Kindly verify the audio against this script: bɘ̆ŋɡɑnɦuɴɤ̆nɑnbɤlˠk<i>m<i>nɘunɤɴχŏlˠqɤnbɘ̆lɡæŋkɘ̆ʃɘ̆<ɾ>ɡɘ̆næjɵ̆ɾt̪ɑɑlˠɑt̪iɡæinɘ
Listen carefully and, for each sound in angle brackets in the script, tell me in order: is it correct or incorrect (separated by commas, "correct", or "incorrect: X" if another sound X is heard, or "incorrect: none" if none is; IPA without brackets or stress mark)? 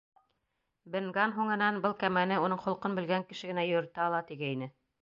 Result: incorrect: æ, incorrect: æ, incorrect: none